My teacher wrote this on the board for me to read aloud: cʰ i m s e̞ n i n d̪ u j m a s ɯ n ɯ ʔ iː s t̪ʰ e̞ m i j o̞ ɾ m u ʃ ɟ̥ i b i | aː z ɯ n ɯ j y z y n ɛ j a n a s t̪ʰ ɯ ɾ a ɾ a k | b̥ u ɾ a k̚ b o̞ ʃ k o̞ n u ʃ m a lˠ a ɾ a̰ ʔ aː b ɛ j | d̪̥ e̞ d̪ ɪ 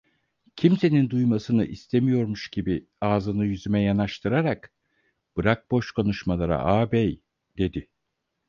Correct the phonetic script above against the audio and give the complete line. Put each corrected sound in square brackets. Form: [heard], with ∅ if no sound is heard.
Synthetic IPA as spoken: cʰ i m s e̞ n i n d̪ u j m a s ɯ n ɯ ʔ [i] s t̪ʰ e̞ m i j o̞ ɾ m u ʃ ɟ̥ i b i | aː z ɯ n ɯ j y z y [m] ɛ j a n a [ʃ] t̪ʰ ɯ ɾ a ɾ a k | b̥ [ɯ] ɾ a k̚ b o̞ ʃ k o̞ n u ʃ m a lˠ a ɾ a̰ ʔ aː b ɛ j | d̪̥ e̞ d̪ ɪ